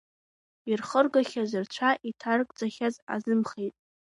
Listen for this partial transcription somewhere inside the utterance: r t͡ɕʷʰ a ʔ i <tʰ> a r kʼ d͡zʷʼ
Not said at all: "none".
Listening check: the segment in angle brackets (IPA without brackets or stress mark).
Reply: tʰ